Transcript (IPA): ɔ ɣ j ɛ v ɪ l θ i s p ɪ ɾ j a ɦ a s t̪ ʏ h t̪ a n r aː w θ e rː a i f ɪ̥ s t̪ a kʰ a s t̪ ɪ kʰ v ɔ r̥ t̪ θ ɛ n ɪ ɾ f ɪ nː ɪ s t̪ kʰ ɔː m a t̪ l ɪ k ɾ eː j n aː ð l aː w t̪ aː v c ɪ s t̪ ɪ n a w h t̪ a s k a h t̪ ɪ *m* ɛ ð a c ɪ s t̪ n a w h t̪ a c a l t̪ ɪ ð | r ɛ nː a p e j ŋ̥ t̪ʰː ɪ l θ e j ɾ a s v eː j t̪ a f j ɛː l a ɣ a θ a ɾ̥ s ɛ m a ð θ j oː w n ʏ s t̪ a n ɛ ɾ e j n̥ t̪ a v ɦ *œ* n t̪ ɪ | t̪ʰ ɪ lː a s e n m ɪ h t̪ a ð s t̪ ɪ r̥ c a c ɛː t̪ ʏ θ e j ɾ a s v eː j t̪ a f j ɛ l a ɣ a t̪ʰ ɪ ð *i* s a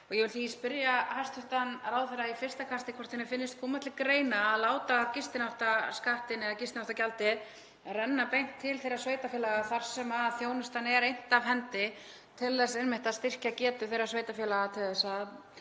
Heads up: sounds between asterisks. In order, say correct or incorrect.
incorrect: n, incorrect: ɛ, incorrect: ɛ

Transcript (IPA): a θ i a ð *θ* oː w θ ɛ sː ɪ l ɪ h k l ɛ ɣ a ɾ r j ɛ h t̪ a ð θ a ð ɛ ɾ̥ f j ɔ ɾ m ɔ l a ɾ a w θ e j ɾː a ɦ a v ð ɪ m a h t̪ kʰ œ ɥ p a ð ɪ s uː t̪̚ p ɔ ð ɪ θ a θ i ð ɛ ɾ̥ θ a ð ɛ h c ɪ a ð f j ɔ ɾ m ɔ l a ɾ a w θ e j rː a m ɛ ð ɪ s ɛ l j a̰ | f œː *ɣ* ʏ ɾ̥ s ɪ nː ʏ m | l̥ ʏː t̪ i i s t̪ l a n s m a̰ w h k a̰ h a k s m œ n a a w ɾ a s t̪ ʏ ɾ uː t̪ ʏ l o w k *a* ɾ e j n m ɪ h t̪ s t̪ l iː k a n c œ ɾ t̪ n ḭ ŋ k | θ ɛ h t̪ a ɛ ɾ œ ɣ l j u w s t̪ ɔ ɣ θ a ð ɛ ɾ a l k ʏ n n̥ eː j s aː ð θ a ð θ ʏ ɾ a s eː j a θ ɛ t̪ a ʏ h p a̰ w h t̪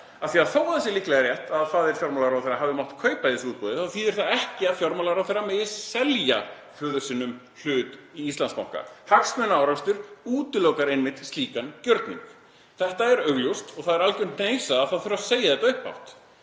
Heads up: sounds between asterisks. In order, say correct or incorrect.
correct, incorrect: ð, correct

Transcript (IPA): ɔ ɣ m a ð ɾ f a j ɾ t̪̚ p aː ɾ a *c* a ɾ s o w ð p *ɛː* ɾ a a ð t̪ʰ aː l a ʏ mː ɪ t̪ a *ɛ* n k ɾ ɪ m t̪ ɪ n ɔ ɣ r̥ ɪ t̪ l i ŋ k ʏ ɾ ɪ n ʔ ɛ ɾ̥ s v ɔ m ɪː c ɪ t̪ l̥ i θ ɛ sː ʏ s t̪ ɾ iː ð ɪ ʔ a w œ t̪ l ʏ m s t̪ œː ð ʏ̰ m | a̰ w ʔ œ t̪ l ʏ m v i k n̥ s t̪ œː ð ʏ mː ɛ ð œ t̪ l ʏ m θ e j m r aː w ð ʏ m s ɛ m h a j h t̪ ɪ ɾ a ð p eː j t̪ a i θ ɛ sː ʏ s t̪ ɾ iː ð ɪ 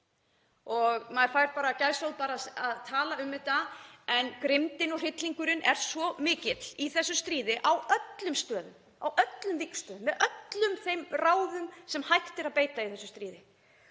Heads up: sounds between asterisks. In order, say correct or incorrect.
correct, incorrect: aː, correct

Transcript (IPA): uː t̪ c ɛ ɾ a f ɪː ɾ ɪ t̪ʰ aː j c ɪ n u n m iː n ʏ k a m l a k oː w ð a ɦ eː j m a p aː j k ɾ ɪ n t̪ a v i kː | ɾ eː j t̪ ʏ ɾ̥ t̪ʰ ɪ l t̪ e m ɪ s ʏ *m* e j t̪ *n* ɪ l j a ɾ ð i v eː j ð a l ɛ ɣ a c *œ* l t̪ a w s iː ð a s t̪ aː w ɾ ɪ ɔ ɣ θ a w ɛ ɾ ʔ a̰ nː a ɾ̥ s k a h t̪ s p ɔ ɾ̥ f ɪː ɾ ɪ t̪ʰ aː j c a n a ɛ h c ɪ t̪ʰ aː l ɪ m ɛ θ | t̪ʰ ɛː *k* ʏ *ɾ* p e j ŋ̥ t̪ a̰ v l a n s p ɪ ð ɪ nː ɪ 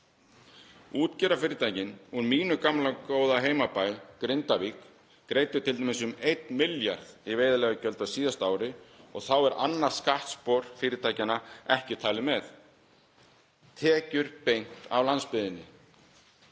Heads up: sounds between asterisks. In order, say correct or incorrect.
correct, incorrect: m, correct, incorrect: c, correct

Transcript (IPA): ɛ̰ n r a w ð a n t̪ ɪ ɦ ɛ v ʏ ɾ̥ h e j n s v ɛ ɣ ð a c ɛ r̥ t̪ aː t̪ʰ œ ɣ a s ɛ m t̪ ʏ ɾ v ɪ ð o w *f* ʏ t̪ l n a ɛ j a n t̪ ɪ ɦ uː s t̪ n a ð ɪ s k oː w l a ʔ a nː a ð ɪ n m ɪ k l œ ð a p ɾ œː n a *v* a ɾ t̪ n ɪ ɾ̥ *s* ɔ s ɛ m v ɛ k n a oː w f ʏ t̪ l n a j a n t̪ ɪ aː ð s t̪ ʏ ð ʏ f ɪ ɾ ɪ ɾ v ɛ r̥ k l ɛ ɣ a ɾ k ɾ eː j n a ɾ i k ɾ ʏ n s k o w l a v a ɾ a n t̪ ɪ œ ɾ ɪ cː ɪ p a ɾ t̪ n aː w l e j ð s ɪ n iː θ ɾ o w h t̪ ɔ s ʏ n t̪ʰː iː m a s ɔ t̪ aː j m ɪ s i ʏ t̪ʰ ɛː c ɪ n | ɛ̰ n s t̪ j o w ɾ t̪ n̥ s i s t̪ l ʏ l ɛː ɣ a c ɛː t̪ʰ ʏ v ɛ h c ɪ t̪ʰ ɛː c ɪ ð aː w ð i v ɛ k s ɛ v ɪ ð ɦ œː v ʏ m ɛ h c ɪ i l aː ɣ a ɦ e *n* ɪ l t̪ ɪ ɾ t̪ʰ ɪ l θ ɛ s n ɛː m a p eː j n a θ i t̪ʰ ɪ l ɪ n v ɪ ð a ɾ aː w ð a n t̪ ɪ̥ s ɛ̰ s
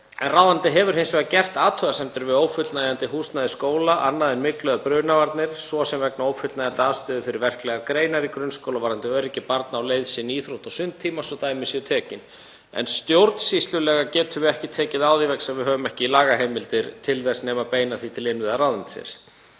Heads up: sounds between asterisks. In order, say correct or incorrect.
correct, correct, correct, incorrect: m

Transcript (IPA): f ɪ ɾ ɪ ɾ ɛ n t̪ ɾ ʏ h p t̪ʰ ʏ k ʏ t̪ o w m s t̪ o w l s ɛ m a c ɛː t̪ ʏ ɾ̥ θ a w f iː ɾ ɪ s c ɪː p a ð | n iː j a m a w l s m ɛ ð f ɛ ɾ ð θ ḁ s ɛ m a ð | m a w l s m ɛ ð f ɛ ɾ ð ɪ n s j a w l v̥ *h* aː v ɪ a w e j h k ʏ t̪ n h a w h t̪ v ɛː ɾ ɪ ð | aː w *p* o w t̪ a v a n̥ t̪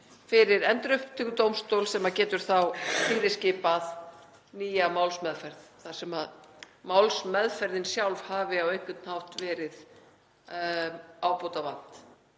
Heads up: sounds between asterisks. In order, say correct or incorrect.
correct, correct

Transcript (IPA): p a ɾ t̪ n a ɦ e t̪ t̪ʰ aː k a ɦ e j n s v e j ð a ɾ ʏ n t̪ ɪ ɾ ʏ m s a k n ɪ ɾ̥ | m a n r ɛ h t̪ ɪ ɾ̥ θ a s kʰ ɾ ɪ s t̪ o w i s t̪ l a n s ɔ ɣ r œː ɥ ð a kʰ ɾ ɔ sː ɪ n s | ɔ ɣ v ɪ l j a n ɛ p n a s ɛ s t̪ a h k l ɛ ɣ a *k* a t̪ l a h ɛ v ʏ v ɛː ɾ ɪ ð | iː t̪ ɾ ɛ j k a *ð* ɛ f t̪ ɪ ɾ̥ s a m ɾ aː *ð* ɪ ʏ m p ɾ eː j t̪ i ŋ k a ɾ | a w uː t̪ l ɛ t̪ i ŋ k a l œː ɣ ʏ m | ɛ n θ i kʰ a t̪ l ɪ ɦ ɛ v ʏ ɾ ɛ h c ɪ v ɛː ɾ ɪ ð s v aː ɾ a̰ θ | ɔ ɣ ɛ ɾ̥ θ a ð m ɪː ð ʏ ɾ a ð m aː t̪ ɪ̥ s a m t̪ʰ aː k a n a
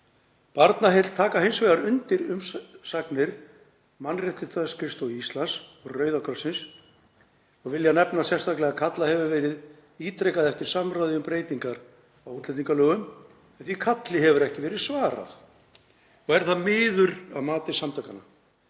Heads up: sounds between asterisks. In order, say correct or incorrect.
incorrect: kʰ, correct, correct

